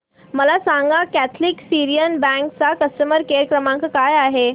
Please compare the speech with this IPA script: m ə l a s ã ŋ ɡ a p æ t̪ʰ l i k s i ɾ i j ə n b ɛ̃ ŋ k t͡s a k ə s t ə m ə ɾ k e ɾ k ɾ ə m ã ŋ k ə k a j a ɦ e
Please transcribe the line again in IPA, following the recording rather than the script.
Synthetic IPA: m ə l a s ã ŋ ɡ a k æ t̪ʰ l i k s i ɾ i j ə n b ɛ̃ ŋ k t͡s a k ə s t ə m ə ɾ k e ɾ k ɾ ə m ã ŋ k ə k a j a ɦ e